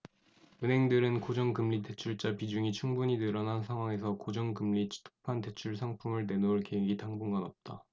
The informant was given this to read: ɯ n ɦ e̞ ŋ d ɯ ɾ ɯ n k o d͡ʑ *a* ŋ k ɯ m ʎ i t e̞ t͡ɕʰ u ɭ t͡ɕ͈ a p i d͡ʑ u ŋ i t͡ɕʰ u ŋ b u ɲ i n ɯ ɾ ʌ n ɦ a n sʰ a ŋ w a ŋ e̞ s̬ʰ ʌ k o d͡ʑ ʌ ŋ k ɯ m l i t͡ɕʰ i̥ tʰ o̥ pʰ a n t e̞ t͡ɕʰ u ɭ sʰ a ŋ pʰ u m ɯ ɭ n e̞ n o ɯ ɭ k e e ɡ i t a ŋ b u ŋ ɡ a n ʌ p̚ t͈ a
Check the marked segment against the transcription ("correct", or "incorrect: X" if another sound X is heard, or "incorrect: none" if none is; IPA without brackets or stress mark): incorrect: ʌ